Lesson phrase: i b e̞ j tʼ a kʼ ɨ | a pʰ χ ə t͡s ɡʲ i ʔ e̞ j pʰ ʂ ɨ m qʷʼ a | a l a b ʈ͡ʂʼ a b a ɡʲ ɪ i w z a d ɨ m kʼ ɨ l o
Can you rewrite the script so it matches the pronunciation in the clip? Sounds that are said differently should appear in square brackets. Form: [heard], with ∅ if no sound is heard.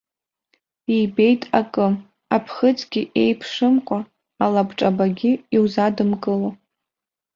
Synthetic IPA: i b e̞ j tʼ a kʼ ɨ | a pʰ χ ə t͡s ɡʲ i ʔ e̞ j pʰ ʂ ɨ m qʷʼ a | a l a b ʈ͡ʂʼ a b a ɡʲ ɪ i w z a d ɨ m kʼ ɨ l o